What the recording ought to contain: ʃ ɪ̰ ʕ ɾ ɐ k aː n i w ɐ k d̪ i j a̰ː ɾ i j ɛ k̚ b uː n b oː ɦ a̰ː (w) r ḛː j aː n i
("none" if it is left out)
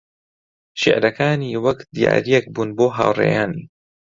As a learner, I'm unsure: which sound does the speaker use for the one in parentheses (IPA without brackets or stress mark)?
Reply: w